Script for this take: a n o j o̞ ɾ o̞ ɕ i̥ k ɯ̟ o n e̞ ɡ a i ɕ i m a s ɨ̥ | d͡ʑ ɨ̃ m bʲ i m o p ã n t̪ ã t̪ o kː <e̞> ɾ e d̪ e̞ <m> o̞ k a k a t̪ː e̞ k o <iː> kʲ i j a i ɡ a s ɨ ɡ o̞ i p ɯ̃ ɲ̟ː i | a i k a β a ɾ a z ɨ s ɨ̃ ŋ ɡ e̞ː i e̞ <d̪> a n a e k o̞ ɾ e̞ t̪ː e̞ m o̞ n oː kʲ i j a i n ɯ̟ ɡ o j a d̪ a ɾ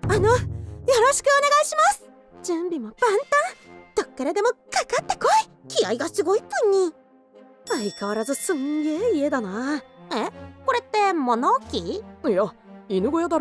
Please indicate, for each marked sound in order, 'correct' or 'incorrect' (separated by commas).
correct, correct, incorrect, correct